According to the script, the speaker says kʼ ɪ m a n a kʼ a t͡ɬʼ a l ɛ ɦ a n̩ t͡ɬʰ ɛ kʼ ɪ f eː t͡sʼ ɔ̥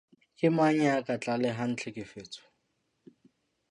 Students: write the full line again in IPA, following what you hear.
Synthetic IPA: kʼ ɪ m a ɲ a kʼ a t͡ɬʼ a l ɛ ɦ a n̩ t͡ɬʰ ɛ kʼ ɪ f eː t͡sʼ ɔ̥